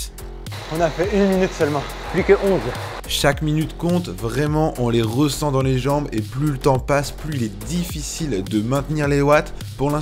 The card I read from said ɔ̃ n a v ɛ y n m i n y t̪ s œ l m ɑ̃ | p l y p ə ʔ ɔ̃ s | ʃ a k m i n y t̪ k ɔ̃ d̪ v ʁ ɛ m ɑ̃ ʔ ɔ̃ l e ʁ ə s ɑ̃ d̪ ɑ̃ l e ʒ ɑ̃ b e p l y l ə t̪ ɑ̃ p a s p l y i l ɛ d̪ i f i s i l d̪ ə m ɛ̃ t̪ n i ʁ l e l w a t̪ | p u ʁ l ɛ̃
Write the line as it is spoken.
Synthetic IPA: ɔ̃ n a f ɛ y n m i n y t̪ s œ l m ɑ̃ | p l y k ə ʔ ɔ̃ z | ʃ a k m i n y t̪ k ɔ̃ t̪ v ʁ ɛ m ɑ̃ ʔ ɔ̃ l e ʁ ə s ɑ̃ d̪ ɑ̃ l e ʒ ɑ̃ b e p l y l ə t̪ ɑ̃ p a s p l y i l ɛ d̪ i f i s i l d̪ ə m ɛ̃ t̪ n i ʁ l e l w a t̪ | p u ʁ l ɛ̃